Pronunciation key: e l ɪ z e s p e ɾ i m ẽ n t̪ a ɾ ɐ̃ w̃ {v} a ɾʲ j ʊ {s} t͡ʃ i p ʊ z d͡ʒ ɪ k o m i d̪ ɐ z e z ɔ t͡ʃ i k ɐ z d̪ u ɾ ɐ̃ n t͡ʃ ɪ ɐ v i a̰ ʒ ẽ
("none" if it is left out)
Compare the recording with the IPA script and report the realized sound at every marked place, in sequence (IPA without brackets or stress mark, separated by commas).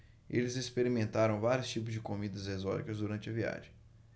v, s